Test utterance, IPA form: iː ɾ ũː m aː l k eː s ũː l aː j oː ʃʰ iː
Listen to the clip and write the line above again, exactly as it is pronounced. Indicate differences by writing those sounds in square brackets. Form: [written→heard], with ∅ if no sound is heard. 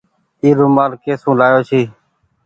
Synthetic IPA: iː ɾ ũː m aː l k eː s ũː l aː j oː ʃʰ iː